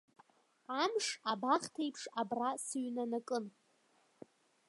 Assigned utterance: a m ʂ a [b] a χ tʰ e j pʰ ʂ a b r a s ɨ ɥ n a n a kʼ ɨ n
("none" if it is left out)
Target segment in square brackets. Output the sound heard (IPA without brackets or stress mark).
b